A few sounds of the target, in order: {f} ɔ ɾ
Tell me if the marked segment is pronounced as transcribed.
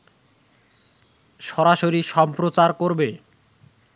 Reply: no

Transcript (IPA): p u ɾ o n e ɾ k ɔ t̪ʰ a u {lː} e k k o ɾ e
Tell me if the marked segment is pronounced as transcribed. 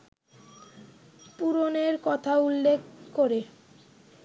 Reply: yes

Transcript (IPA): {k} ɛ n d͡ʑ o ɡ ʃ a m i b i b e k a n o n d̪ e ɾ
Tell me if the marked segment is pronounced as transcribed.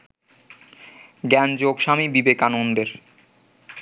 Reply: no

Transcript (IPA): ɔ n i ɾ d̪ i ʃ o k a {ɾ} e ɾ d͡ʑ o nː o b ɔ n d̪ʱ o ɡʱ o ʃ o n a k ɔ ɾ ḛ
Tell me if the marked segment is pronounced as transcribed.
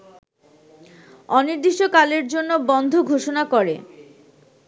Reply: no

